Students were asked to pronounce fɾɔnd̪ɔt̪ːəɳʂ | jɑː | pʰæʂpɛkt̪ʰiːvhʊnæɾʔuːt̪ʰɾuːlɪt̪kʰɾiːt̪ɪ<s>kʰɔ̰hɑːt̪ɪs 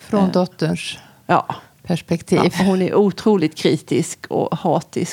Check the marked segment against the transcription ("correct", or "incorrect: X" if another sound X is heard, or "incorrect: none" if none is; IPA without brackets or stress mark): correct